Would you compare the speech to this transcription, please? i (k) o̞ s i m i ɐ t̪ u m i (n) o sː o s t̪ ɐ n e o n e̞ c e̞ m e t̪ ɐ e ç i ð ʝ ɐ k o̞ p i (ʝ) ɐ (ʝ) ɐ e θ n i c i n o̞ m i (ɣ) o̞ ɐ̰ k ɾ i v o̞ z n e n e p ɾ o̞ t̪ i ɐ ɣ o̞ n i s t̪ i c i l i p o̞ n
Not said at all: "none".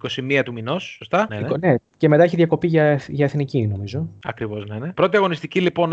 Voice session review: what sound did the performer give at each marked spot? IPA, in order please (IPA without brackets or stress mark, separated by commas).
k, n, ʝ, ʝ, z